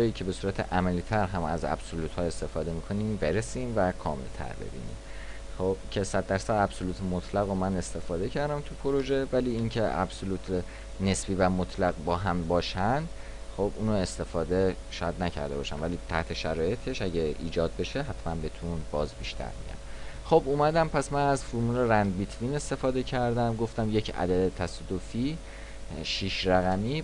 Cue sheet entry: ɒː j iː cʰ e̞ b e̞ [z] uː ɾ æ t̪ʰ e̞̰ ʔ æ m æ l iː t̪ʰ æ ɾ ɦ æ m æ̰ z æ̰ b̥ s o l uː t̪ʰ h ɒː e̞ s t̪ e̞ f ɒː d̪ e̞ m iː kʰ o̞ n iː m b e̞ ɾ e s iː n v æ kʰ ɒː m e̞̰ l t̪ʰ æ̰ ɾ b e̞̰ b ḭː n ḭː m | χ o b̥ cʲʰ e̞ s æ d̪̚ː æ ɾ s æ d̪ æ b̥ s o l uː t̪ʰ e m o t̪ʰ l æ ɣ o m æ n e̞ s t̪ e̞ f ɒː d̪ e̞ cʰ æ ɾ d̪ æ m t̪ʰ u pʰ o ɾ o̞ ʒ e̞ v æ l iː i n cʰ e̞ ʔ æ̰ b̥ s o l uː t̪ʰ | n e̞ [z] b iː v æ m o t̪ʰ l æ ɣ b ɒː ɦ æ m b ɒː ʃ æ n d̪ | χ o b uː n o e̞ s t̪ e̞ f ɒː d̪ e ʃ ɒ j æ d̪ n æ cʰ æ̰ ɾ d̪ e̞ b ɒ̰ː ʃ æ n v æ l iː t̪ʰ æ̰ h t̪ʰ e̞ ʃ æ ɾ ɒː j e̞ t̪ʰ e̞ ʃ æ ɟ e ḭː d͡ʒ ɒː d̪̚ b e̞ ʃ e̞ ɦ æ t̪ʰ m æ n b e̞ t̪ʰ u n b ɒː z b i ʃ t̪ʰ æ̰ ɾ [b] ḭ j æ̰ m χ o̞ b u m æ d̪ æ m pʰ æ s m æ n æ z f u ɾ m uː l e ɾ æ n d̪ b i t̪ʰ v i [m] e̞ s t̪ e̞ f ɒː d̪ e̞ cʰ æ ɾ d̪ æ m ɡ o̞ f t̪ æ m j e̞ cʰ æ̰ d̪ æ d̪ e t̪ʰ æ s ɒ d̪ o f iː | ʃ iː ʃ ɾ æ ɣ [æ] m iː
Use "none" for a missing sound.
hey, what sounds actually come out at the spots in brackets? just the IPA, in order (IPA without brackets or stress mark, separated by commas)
s, s, m, n, æ